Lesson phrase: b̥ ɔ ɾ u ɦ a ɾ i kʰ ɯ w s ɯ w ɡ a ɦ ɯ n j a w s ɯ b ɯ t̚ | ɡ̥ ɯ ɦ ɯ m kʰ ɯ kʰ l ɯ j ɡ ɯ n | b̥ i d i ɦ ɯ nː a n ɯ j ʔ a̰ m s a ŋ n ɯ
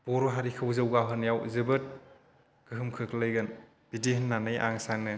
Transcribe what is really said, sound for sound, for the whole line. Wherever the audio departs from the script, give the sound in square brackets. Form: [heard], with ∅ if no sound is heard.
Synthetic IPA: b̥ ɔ ɾ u ɦ a ɾ i kʰ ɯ w [z] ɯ w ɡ a ɦ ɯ n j a w [z] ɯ b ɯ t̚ | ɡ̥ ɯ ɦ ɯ m kʰ ɯ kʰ l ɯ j ɡ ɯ n | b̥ i d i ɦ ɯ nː a n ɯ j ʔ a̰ [ŋ] s a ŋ n ɯ